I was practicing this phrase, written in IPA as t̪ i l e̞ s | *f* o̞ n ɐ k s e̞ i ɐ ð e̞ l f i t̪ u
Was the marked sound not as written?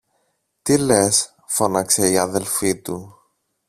no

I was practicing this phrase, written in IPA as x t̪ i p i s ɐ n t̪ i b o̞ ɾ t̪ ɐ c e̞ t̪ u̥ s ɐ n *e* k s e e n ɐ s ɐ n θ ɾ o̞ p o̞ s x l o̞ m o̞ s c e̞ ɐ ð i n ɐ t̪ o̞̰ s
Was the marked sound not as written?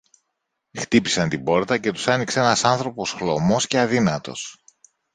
yes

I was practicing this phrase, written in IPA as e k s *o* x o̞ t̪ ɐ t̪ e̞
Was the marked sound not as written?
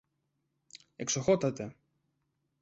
no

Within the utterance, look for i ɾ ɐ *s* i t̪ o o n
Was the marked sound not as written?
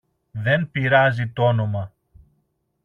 yes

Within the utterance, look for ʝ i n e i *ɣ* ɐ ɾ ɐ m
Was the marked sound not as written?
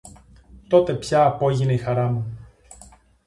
yes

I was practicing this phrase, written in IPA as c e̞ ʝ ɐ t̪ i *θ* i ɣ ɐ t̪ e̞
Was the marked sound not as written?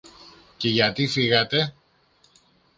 yes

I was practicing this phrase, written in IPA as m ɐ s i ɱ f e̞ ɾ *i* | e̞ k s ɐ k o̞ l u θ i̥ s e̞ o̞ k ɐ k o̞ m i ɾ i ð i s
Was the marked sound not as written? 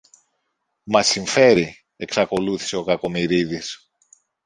no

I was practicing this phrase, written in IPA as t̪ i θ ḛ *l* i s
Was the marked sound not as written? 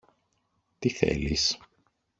no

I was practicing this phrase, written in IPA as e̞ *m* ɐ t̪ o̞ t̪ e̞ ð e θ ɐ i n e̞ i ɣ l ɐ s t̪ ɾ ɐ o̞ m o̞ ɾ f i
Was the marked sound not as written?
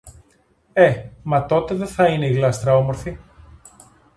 no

